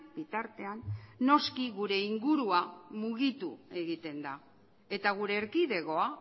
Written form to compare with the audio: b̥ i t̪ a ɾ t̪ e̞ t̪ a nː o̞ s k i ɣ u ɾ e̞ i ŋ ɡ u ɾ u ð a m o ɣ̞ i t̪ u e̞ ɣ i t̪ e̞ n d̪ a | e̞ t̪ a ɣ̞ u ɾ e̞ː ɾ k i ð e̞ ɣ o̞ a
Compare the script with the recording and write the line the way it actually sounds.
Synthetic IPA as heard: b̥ i t̪ a ɾ t̪ e̞ a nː o̞ s k i ɣ u ɾ e̞ i ŋ ɡ u ɾ u a m u ɣ̞ i t̪ u e̞ ɣ i t̪ e̞ n d̪ a | e̞ t̪ a ɣ̞ u ɾ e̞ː ɾ k i ð e̞ ɣ o̞ a